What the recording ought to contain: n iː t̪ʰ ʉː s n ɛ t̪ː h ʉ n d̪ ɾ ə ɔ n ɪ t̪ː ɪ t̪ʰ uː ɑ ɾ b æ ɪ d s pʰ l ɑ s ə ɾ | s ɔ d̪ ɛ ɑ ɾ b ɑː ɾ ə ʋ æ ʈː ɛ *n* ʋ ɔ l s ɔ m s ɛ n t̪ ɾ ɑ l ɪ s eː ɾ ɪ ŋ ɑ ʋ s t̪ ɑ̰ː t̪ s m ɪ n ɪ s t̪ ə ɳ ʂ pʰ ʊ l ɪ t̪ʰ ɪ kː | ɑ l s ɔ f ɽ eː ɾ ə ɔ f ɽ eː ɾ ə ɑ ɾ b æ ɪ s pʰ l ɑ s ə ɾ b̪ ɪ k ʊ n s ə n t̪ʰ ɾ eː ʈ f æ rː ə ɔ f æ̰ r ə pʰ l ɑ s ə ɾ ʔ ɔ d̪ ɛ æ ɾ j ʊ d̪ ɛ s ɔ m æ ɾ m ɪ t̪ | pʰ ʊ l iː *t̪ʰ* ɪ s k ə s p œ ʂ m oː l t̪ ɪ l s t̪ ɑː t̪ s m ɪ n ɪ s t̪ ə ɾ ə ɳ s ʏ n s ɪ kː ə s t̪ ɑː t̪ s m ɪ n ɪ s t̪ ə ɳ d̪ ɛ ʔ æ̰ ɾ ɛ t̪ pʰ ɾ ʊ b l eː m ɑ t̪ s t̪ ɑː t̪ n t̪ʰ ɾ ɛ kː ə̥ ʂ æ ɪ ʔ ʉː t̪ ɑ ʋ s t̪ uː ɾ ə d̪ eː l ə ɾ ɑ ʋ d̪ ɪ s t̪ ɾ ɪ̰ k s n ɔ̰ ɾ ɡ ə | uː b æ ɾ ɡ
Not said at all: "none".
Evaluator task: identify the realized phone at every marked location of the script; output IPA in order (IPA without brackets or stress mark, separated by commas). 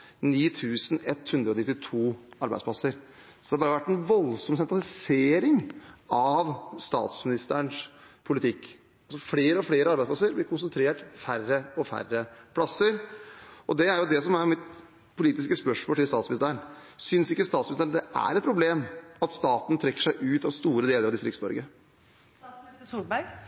n, t̪